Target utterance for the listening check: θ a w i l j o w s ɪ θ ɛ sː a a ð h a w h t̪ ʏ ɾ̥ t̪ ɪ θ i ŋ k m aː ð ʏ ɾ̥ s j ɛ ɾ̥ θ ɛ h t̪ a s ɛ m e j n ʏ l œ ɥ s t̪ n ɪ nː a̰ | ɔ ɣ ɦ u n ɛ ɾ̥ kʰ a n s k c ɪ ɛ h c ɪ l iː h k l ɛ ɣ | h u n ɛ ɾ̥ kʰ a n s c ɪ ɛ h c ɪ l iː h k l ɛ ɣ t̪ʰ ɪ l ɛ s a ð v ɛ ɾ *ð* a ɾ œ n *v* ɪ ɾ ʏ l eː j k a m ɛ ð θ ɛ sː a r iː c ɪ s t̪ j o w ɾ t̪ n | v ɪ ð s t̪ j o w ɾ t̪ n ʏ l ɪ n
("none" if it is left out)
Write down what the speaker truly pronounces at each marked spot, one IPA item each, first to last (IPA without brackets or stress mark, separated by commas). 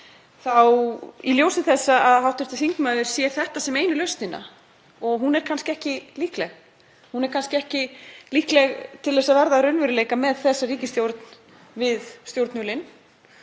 ð, v